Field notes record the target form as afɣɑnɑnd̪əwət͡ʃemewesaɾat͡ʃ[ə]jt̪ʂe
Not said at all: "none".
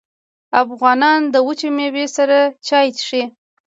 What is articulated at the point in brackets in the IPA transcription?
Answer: ɑ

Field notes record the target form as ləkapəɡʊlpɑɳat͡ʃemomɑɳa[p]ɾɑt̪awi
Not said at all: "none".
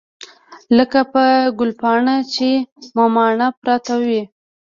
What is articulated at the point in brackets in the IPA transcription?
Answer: p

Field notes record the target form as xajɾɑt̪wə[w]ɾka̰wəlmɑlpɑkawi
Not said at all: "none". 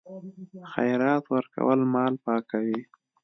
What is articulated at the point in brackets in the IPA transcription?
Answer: none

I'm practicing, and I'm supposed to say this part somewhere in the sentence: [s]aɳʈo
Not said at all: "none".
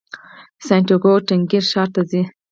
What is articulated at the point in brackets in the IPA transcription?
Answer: s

